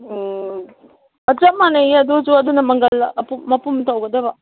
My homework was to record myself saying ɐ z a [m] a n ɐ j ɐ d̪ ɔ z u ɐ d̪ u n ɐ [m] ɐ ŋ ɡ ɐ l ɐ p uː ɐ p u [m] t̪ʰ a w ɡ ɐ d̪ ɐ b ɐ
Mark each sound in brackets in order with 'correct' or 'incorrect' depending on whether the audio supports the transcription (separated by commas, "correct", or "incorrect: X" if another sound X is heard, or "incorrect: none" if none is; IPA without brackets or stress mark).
correct, correct, correct